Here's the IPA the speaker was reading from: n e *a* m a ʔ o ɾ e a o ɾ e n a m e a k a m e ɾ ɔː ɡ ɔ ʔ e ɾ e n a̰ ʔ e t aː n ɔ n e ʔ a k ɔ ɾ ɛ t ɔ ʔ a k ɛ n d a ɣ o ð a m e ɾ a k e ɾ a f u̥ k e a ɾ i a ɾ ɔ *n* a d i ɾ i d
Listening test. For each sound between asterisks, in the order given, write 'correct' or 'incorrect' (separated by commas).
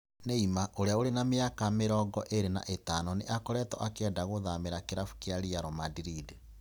incorrect, incorrect